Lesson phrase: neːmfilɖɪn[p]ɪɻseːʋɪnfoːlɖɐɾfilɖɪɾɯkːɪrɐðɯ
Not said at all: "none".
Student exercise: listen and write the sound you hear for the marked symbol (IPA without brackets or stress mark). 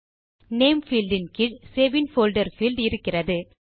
k